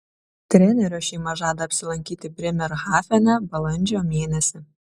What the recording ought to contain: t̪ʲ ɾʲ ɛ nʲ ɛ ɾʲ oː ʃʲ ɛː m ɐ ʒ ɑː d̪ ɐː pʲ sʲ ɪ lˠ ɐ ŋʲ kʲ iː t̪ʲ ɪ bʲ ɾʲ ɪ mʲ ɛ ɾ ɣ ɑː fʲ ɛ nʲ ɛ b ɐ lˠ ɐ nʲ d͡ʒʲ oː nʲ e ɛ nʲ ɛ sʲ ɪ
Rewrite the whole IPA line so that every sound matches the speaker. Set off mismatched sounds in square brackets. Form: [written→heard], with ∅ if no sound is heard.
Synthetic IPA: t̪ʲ ɾʲ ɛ nʲ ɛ ɾʲ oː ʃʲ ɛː m ɐ ʒ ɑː d̪ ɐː pʲ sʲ ɪ lˠ ɐ ŋʲ kʲ iː t̪ʲ ɪ bʲ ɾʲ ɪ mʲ ɛ ɾ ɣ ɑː fʲ ɛ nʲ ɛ b ɐ lˠ ɐ nʲ d͡ʒʲ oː [nʲ→mʲ] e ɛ nʲ ɛ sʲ ɪ